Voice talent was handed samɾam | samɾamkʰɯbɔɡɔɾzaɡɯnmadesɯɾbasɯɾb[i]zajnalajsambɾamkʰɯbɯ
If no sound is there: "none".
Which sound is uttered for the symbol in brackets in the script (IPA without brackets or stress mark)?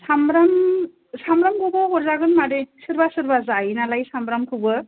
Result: a